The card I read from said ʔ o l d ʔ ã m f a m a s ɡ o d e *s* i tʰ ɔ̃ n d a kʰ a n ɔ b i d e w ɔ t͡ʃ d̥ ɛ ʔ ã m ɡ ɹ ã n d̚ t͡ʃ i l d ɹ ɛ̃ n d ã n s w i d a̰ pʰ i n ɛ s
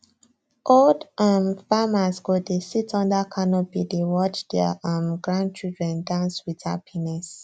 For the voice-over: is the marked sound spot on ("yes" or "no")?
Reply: yes